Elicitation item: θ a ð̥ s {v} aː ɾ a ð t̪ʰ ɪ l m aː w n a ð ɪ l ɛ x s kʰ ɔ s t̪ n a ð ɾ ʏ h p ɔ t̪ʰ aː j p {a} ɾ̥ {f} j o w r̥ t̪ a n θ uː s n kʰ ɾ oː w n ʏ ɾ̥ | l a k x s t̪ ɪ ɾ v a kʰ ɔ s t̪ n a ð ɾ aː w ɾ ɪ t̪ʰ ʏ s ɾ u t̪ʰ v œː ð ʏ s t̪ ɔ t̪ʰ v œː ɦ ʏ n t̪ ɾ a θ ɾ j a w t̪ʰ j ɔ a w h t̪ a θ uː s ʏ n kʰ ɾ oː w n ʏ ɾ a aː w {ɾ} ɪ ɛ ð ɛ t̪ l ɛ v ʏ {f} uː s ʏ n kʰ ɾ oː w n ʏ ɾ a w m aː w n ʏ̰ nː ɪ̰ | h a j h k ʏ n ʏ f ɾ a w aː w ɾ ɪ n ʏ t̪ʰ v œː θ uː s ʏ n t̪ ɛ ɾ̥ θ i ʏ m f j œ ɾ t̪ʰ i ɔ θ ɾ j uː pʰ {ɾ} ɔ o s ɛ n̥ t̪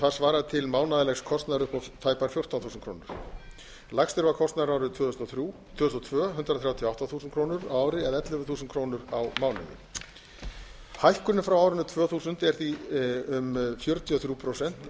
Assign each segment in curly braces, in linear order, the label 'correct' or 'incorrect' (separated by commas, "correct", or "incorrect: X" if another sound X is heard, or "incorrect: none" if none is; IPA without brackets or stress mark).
correct, correct, correct, correct, incorrect: θ, correct